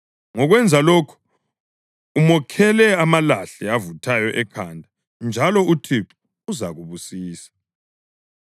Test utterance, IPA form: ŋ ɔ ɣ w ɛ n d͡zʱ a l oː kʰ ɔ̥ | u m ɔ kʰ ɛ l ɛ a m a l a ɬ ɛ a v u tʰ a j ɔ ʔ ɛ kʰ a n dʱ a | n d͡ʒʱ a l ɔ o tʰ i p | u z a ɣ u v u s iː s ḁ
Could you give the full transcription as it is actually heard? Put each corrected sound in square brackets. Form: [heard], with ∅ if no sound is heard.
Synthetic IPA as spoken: ŋ ɔ ɣ w ɛ n d͡zʱ a l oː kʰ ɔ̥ | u m ɔ kʰ ɛ l ɛ a m a l a ɬ ɛ a v u tʰ a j ɔ ʔ ɛ kʰ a n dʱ a | n d͡ʒʱ a l ɔ [u] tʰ i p | u z a ɣ u [β] u s iː s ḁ

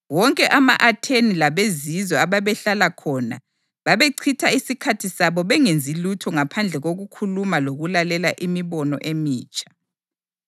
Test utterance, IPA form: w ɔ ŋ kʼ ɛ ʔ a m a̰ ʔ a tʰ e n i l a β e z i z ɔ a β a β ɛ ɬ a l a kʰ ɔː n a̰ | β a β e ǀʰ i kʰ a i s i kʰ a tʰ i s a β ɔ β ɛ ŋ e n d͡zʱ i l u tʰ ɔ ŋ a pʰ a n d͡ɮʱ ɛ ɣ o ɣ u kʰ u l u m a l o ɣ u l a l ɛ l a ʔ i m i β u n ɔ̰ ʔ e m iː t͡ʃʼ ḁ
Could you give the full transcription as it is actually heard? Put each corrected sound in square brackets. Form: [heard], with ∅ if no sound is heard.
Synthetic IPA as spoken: w ɔ ŋ kʼ ɛ ʔ a m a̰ ʔ a tʰ e n i l a β e z i z ɔ a β a β ɛ ɬ a l a kʰ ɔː n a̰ | β a β e ǀʰ i [tʰ] a i s i kʰ a tʰ i s a β ɔ β ɛ ŋ e n d͡zʱ i l u tʰ ɔ ŋ a pʰ a n d͡ɮʱ ɛ ɣ o ɣ u kʰ u l u m a l o ɣ u l a l ɛ l a ʔ i m i β [ɔ] n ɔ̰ ʔ e m iː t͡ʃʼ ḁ

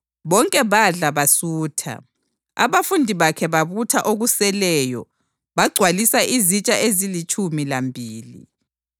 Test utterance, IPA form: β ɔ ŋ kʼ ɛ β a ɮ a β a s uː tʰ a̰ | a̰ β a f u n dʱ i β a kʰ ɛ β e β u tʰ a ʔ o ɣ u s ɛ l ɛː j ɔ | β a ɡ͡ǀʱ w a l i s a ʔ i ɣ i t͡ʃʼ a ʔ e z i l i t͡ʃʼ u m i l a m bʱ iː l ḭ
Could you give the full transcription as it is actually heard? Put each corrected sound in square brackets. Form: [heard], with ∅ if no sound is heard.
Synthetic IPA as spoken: β ɔ ŋ kʼ ɛ β a ɮ a β a s uː tʰ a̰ | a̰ β a f u n dʱ i β a kʰ ɛ β [a] β u tʰ a ʔ o ɣ u s ɛ l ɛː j ɔ | β a ɡ͡ǀʱ w a l i s a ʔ i [z] i t͡ʃʼ a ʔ e z i l i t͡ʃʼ u m i l a m bʱ iː l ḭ

